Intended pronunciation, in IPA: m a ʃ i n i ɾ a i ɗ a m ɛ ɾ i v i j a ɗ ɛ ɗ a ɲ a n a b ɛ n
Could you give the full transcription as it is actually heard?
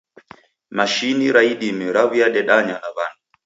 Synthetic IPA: m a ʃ i n i ɾ a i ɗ i m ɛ ɾ a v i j a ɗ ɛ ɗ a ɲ a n a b a n